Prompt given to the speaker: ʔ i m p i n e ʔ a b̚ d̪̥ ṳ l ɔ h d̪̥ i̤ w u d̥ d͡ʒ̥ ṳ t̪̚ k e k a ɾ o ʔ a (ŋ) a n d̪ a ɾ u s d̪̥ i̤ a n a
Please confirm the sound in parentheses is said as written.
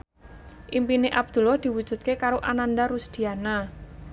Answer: no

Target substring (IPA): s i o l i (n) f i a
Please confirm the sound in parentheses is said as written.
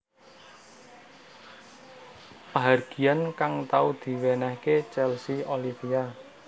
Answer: no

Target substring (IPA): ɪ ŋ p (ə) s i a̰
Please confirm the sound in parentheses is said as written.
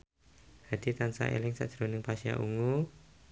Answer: no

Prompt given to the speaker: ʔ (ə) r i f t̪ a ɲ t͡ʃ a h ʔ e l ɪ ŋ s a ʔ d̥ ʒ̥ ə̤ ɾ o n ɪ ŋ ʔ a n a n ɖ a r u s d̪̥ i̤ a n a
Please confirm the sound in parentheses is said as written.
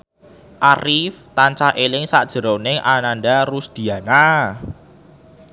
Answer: no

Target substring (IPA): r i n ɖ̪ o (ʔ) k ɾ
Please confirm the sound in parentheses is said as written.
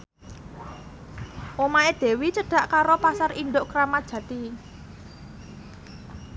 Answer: yes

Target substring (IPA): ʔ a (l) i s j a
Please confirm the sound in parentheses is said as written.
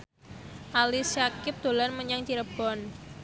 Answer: yes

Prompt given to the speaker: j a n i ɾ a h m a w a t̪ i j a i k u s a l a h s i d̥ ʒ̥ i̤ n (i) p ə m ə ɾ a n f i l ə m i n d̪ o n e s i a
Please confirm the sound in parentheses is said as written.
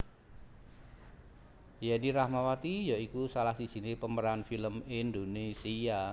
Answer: no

